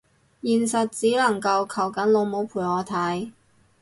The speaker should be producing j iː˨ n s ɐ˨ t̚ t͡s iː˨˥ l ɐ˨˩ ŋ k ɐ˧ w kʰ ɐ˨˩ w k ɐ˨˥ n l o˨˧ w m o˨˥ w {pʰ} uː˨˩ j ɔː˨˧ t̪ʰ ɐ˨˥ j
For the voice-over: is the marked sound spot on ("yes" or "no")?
yes